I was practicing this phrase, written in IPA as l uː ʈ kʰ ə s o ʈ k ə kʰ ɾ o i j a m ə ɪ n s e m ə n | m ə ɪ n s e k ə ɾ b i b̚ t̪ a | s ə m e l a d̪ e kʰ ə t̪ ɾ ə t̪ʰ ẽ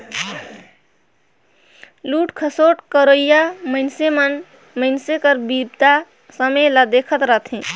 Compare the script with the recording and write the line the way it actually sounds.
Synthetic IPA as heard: l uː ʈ kʰ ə s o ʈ k ə ɾ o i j a m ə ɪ n s e m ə n | m ə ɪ n s e k ə ɾ b i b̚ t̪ a | s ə m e l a d̪ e kʰ ə t̪ ɾ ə t̪ʰ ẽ